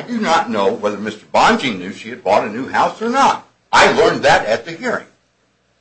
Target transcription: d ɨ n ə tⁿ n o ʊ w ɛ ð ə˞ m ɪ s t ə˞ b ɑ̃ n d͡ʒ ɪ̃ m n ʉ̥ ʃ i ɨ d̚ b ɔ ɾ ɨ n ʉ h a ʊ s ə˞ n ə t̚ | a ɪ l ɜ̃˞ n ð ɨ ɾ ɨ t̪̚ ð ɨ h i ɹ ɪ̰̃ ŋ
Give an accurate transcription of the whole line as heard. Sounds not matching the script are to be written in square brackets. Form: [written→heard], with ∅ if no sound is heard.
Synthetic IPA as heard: d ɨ n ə tⁿ n o ʊ w ɛ ð ə˞ m ɪ s t ə˞ b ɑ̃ n d͡ʒ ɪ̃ [m→ŋ] n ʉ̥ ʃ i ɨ d̚ b ɔ ɾ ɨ n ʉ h a ʊ s ə˞ n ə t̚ | a ɪ l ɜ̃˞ n ð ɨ ɾ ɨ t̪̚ ð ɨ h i ɹ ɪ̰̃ ŋ